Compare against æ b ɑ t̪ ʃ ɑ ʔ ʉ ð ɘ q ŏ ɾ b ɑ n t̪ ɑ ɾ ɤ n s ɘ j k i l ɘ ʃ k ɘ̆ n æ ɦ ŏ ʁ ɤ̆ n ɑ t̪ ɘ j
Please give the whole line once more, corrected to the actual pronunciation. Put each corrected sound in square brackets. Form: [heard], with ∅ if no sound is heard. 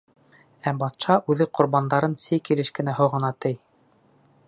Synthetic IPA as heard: æ b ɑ t̪ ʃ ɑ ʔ ʉ ð ɘ q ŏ ɾ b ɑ n [d̪] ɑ ɾ ɤ n s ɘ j k i l ɘ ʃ k ɘ̆ n æ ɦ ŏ ʁ ɤ̆ n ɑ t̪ ɘ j